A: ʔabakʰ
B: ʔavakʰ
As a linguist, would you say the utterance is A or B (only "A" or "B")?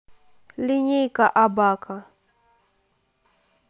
A